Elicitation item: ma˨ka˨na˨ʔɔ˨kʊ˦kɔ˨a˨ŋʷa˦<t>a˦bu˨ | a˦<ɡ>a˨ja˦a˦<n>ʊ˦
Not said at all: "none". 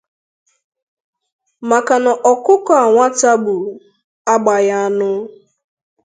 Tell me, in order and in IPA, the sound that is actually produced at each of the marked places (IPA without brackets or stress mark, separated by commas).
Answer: t, ɡ͡b, n